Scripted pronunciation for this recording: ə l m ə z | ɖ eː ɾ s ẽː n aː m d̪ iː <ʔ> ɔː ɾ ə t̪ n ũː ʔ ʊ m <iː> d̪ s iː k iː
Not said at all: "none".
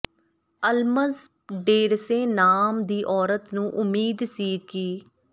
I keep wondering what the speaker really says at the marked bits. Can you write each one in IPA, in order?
ʔ, iː

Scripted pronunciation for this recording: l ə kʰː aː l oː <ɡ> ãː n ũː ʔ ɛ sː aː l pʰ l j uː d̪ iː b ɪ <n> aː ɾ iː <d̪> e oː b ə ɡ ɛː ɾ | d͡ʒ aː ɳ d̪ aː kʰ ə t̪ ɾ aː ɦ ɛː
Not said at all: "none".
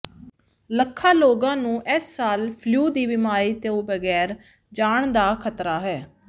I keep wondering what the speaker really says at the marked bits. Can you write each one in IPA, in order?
ɡ, m, t̪

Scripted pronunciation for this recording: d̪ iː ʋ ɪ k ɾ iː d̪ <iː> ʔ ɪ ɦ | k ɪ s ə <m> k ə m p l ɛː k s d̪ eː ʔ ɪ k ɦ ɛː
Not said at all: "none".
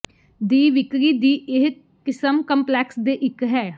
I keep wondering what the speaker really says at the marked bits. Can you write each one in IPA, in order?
iː, m

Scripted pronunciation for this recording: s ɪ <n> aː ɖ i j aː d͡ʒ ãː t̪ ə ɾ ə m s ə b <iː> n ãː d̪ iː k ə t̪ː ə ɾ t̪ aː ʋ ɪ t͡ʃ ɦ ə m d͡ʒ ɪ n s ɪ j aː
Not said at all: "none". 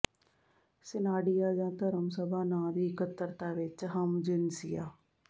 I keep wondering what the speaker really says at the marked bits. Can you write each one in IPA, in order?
n, aː

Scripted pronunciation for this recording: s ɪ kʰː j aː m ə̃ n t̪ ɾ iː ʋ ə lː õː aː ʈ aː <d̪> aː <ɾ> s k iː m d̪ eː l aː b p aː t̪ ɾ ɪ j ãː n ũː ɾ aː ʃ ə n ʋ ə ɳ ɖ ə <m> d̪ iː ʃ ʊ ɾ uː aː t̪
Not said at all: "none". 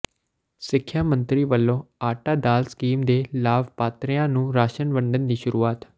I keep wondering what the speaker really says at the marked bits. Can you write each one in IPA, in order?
d̪, l, n

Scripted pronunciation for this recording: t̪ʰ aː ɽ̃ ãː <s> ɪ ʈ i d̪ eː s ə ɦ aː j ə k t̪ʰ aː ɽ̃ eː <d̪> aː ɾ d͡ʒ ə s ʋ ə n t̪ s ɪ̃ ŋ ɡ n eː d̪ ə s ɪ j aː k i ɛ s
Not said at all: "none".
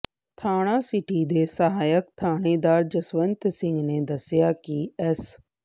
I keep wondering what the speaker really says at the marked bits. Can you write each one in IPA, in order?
s, d̪

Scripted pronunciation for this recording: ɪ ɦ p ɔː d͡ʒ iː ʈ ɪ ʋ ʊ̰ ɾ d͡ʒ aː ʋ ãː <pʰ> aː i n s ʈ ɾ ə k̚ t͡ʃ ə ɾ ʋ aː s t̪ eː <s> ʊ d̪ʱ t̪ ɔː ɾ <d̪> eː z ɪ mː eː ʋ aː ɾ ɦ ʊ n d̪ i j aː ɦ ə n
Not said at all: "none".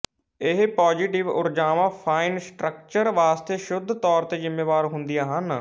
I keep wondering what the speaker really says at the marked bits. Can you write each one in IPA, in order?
pʰ, ʃ, t̪

